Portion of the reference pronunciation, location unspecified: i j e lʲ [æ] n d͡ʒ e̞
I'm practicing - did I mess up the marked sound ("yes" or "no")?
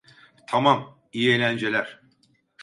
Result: no